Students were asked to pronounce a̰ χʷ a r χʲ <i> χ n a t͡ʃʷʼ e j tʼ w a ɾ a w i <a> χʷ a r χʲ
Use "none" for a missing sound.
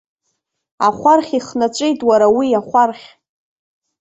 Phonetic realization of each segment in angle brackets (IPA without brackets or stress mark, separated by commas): i, a